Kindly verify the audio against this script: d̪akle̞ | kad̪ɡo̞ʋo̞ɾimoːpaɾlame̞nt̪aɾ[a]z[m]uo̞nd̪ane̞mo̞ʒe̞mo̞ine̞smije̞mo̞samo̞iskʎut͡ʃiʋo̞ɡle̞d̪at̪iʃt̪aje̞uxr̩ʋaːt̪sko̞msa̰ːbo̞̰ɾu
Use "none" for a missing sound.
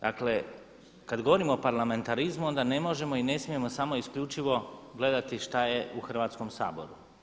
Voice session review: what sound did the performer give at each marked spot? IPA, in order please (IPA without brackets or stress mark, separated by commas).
i, m